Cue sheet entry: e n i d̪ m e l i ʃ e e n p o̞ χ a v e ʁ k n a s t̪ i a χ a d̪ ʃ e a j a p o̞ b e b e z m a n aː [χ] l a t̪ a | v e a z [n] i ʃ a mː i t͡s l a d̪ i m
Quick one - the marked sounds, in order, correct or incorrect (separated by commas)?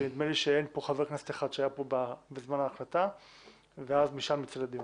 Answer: correct, incorrect